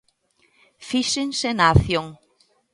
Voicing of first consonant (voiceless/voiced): voiceless